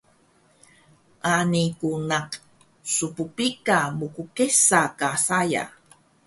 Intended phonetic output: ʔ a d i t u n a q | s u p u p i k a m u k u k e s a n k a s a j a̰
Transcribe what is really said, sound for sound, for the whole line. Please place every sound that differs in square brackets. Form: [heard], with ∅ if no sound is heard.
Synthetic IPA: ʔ a [n] i [k] u n a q | s u p u p i k a m u k u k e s a [∅] k a s a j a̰

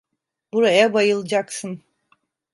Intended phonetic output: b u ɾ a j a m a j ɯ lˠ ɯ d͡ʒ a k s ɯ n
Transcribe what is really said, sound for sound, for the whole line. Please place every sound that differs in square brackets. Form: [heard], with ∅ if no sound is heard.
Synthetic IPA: b u ɾ a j a [b] a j ɯ lˠ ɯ d͡ʒ a k s ɯ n

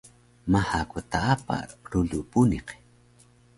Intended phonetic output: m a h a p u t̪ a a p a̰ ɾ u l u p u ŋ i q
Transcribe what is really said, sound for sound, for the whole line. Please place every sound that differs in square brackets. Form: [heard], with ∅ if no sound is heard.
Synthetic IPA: m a h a [k] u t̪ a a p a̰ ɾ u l u p u [n] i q

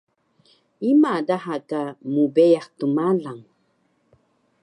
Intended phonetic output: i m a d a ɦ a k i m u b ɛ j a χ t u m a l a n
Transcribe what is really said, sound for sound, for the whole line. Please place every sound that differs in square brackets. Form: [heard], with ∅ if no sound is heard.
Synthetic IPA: i m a d a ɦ a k [a] m u b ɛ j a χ t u m a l a [ŋ]

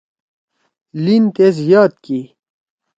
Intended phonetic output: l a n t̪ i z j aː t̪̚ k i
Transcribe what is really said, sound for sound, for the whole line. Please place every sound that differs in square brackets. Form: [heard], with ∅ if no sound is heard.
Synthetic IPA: l [i] n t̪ [e] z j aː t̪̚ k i

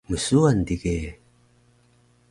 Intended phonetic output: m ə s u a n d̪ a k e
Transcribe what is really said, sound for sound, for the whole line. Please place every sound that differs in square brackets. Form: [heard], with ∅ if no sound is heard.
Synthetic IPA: m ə s u a n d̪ [i] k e

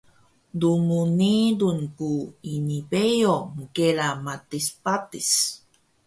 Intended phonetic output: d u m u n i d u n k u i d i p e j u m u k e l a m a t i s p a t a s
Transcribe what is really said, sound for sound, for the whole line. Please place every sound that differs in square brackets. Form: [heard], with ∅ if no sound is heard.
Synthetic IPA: d u m u n i d u n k u i [n] i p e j [o] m u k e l a m a t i s p a t [i] s

